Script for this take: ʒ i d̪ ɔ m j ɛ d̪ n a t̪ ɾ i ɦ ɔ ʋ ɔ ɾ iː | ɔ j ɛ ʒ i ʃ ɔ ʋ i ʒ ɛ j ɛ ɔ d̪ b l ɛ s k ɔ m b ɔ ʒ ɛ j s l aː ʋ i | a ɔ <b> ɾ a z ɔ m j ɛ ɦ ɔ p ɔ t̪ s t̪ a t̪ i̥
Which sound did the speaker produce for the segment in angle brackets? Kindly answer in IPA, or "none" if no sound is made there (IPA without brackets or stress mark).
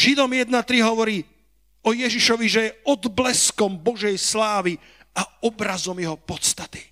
b